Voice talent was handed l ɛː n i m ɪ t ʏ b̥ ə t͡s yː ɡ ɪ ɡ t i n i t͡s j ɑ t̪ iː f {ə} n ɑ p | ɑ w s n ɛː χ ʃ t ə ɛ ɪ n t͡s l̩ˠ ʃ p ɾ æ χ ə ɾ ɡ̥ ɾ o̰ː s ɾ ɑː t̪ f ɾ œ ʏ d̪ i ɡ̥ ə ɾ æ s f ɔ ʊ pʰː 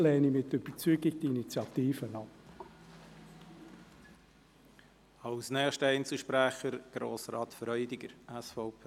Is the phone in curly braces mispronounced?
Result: no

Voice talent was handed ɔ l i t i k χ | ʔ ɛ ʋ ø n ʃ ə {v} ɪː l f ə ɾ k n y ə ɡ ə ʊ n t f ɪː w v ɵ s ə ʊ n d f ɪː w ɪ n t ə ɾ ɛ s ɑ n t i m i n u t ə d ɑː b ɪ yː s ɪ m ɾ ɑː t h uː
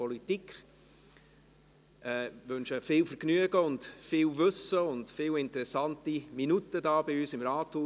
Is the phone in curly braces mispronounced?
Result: yes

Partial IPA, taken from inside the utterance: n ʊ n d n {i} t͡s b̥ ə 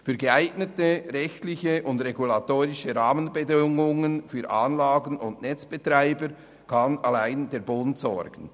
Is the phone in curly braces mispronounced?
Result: yes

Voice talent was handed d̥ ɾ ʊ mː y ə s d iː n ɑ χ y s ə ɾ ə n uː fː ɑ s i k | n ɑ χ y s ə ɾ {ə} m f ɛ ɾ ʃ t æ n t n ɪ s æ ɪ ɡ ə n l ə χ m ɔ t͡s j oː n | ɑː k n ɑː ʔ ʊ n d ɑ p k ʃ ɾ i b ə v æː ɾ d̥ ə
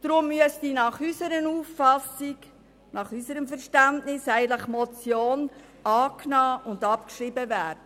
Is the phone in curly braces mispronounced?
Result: no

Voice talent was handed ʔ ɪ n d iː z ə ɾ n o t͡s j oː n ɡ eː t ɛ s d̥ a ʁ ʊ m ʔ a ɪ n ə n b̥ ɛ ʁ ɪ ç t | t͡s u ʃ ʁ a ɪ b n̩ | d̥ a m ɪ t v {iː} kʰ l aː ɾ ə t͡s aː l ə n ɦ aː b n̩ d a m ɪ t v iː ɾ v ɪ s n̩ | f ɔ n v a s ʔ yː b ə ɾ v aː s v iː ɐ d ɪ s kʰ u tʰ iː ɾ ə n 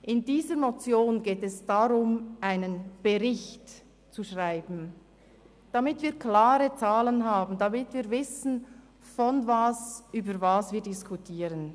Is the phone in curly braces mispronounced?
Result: no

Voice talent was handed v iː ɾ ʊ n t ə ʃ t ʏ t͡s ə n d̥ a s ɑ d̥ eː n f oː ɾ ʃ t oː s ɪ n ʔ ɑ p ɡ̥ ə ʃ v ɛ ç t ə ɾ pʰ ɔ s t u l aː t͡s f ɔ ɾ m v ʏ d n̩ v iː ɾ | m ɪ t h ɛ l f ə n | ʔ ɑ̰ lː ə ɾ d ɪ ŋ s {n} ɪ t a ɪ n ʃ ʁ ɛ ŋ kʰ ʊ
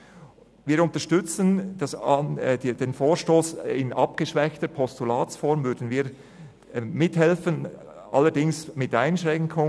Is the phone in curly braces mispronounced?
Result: yes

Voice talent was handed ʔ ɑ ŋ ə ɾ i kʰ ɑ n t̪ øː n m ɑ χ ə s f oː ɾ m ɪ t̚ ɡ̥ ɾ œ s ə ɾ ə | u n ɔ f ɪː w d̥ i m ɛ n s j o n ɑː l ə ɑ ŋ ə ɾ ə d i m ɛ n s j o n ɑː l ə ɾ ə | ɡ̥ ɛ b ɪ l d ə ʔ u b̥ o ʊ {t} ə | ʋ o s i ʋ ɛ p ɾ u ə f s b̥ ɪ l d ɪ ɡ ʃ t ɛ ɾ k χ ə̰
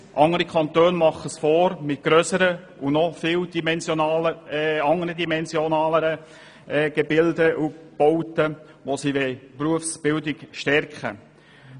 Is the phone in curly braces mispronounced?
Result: no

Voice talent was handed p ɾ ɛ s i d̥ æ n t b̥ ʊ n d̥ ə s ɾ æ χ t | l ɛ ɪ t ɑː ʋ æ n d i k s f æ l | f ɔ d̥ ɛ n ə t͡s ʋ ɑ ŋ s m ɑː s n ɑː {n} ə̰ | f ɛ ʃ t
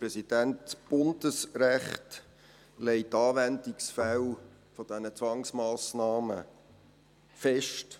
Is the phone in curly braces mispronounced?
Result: yes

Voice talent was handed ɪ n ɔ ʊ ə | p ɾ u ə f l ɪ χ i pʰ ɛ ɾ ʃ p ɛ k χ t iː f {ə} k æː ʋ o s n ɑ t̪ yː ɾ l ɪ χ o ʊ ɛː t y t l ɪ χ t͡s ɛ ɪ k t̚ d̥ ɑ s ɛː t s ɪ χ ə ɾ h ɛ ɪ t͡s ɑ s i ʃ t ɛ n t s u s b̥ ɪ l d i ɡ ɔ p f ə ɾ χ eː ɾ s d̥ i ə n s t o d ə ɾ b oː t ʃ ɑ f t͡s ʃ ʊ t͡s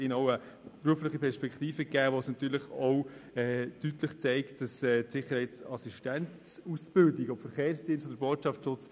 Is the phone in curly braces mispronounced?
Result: no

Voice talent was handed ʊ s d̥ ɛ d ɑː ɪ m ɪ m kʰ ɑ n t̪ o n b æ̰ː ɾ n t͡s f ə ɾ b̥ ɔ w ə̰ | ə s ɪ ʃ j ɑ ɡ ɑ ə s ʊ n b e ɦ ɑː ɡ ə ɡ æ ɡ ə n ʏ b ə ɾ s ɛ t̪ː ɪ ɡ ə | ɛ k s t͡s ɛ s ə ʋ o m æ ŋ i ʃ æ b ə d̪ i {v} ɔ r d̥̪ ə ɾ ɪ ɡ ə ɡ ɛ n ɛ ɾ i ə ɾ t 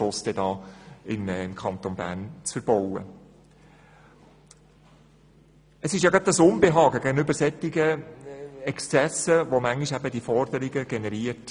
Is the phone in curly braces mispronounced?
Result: yes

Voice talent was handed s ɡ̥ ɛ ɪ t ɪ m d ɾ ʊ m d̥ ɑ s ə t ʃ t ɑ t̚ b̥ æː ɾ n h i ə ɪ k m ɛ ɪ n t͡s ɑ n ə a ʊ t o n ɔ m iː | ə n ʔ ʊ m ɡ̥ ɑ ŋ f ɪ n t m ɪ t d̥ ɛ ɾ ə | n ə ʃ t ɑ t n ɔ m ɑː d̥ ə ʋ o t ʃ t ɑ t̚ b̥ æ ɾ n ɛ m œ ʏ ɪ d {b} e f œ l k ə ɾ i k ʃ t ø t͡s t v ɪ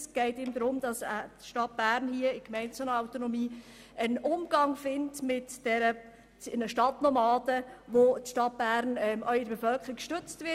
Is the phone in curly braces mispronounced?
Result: no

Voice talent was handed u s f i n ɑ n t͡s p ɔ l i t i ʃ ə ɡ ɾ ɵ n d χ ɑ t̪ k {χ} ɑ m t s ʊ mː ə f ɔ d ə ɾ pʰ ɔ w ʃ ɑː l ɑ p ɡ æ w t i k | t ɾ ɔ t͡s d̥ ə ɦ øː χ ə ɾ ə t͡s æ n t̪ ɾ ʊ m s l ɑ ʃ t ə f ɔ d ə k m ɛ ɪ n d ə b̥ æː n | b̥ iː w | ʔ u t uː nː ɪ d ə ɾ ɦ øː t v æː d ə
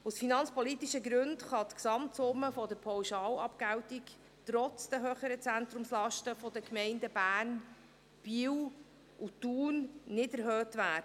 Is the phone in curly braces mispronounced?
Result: yes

